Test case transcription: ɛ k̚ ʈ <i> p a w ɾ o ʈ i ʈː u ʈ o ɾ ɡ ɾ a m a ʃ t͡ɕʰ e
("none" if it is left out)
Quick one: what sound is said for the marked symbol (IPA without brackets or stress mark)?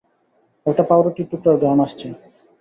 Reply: a